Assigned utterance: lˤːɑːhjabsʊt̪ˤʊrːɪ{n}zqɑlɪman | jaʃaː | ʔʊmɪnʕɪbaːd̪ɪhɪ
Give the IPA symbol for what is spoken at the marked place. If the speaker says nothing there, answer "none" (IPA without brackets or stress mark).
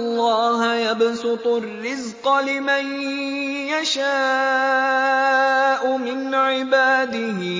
none